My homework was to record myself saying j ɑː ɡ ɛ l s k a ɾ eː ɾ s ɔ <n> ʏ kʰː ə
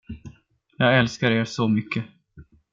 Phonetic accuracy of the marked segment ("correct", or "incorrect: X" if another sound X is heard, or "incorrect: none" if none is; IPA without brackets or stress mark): incorrect: m